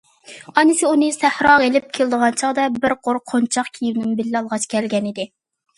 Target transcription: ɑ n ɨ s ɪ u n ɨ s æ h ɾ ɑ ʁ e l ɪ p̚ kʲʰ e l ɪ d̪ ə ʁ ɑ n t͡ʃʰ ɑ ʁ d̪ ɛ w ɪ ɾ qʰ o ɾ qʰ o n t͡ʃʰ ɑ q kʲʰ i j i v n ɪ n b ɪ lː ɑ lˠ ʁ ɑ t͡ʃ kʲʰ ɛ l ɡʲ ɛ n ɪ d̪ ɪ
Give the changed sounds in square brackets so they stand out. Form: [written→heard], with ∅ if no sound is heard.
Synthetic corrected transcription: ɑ n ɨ s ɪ u n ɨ s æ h ɾ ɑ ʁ e l ɪ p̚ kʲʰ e l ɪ d̪ ə ʁ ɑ n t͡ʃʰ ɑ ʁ d̪ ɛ [w→b] ɪ ɾ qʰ o ɾ qʰ o n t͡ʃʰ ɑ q kʲʰ i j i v n ɪ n b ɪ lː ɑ lˠ ʁ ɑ t͡ʃ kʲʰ ɛ l ɡʲ ɛ n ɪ d̪ ɪ